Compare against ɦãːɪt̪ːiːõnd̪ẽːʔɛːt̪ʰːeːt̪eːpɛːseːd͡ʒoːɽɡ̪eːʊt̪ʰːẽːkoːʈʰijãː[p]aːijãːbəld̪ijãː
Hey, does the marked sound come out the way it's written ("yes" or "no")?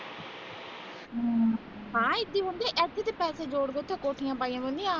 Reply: yes